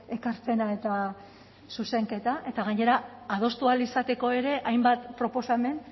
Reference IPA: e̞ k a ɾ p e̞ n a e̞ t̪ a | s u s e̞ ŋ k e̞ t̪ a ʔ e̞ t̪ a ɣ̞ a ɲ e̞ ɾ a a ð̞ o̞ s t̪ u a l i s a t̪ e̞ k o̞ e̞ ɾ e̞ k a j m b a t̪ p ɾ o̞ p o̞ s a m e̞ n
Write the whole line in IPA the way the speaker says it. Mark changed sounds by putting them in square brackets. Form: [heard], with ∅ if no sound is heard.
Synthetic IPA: e̞ k a ɾ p e̞ n a e̞ t̪ a | s u s e̞ ŋ k e̞ t̪ a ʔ e̞ t̪ a ɣ̞ a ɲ e̞ ɾ a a ð̞ o̞ s t̪ u a l i s a t̪ e̞ k o̞ e̞ ɾ e̞ [ʔ] a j m b a t̪ p ɾ o̞ p o̞ s a m e̞ n